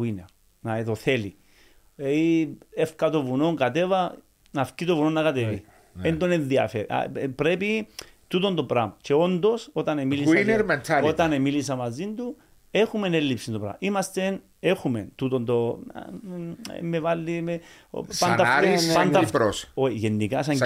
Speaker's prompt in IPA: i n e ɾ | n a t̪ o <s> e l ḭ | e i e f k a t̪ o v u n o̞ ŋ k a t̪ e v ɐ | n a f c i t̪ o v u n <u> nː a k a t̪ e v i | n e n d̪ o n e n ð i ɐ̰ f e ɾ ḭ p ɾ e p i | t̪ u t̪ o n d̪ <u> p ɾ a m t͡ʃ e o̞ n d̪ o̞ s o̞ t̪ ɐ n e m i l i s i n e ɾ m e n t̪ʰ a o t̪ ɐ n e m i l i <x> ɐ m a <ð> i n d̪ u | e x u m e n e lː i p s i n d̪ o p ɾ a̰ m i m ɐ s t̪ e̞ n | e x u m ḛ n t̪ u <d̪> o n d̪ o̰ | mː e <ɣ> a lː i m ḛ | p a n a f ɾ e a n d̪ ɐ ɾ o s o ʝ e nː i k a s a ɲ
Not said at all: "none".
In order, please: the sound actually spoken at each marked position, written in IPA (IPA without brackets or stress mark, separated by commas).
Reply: θ, o, o, s, z, t̪, v